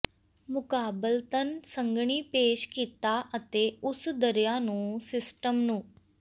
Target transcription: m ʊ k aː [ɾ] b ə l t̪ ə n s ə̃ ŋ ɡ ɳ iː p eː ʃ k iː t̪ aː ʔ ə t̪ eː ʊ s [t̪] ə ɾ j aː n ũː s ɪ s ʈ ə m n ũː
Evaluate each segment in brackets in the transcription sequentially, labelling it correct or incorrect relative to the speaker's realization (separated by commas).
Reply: incorrect, incorrect